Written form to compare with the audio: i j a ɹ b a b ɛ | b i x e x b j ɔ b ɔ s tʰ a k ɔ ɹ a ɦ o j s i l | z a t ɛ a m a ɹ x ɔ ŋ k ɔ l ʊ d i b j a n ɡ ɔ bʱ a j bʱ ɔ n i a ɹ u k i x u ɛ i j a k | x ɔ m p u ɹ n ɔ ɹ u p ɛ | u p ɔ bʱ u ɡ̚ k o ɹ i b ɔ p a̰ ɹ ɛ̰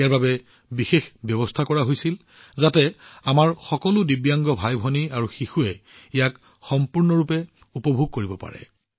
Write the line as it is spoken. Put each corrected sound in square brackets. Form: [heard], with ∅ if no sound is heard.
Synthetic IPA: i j a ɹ b a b ɛ | b i x e x b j ɔ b ɔ s tʰ a k ɔ ɹ a ɦ o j s i l | z a t ɛ a m a ɹ x ɔ [∅] k ɔ l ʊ d i b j a [ŋ] ɡ ɔ bʱ a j bʱ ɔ n i a ɹ u [x] i x u ɛ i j a k | x ɔ m p u ɹ n ɔ ɹ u p ɛ | u p ɔ bʱ u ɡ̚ k o ɹ i b ɔ p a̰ ɹ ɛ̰

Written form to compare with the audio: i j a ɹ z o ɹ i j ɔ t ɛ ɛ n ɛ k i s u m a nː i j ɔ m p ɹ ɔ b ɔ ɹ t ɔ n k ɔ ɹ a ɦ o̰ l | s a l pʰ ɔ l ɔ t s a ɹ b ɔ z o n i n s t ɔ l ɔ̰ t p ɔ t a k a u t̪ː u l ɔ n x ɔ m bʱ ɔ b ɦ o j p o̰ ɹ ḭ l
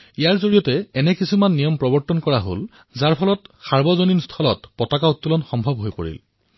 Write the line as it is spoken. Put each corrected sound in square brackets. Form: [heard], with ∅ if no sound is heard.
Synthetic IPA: i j a ɹ z o ɹ i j ɔ t ɛ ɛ n ɛ k i s u m a nː i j ɔ m p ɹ ɔ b ɔ ɹ t ɔ n k ɔ ɹ a ɦ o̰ l | [z] a [ɹ] pʰ ɔ l ɔ t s a ɹ b ɔ z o n i n s [tʰ] ɔ l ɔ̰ t p ɔ t a k a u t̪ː u l ɔ n x ɔ m bʱ ɔ b ɦ o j p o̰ ɹ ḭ l

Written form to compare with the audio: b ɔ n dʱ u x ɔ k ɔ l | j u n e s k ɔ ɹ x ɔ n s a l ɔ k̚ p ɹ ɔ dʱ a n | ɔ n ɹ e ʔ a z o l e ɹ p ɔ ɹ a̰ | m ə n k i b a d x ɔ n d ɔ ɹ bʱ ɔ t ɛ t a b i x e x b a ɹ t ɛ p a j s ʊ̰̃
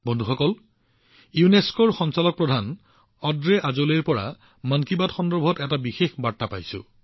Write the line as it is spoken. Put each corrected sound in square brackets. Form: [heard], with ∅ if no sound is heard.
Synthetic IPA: b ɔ n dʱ u x ɔ k ɔ l | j u n e s k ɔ ɹ x ɔ n s a l ɔ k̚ p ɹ ɔ dʱ a n | ɔ [d] ɹ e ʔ a z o l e ɹ p ɔ ɹ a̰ | m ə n k i b a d x ɔ n d ɔ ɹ bʱ ɔ t ɛ t a b i x e x b a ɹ t [a] p a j s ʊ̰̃

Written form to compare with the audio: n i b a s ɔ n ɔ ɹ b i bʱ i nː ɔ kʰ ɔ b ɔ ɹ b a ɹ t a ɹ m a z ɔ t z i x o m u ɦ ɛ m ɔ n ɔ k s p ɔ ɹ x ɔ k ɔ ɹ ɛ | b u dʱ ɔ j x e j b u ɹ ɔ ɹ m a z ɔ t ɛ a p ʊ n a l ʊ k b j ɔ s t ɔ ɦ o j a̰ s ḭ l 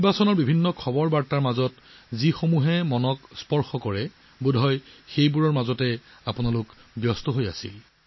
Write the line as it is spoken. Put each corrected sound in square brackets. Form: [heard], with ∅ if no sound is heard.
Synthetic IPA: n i b a s ɔ n ɔ ɹ b i bʱ i nː ɔ kʰ ɔ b ɔ ɹ b a ɹ t a ɹ m a z ɔ t z i x o m u ɦ ɛ m ɔ n ɔ k s p ɔ ɹ x ɔ k ɔ ɹ ɛ | b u dʱ ɔ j x e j b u ɹ ɔ ɹ m a z ɔ t ɛ a p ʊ n a l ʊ k b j ɔ s t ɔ ɦ o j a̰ s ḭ l

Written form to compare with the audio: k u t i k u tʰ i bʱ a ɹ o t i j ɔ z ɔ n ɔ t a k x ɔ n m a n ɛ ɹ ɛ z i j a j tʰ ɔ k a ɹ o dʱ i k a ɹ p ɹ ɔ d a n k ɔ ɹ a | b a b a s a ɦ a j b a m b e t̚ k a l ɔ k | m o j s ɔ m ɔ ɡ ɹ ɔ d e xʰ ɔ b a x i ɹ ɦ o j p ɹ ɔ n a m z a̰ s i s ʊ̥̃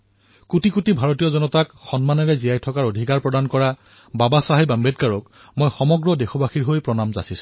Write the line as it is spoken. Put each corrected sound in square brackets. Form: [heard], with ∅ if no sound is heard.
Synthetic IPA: k u t i k u [t] i bʱ a ɹ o t i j ɔ z ɔ n ɔ t a k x ɔ n m a n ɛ ɹ ɛ z i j a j tʰ ɔ k a ɹ o dʱ i k a ɹ p ɹ ɔ d a n k ɔ ɹ a | b a b a s a ɦ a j b a m b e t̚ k a [ɹ] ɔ k | m o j [x] ɔ m ɔ ɡ ɹ ɔ d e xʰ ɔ b a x i ɹ ɦ o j p ɹ ɔ n a m z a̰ s i s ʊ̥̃

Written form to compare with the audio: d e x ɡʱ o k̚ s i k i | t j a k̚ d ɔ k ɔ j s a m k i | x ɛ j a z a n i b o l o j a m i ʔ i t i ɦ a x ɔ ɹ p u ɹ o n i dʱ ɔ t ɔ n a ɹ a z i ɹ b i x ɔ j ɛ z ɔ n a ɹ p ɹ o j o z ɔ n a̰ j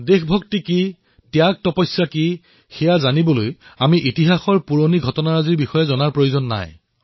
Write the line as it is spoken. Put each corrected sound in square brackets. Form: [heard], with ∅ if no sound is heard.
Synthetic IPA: d e x [bʱ] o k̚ [t] i k i | t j a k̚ [t] ɔ [p] ɔ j s a [∅] k i | x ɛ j a z a n i b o l o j a m i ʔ i t i ɦ a x ɔ ɹ p u ɹ o n i [ɡʱ] ɔ t ɔ n a ɹ a z i ɹ b i x ɔ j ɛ z ɔ n a ɹ p ɹ o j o z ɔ [nː] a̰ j

